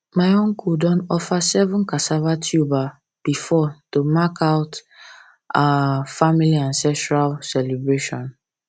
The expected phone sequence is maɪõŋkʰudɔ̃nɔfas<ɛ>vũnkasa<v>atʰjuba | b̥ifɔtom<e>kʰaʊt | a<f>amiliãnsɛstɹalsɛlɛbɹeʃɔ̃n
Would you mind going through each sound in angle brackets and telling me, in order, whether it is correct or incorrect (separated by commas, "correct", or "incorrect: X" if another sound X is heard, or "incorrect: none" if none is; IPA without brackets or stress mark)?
correct, correct, incorrect: a, correct